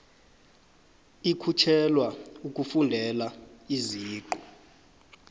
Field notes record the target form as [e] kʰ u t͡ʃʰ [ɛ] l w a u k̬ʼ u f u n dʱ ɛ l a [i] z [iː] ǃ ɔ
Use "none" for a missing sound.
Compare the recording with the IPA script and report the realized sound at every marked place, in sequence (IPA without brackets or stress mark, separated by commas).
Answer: i, ɛ, i, iː